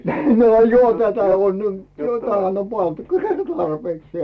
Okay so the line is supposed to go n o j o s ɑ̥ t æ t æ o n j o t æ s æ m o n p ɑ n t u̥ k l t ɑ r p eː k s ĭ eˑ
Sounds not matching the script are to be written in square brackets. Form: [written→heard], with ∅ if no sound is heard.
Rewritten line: n o j o [s→h] ɑ̥ t æ t æ o n j o t æ [s→h] æ [m→n] o [n→m] p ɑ n t u̥ k l t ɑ r p eː k s ĭ eˑ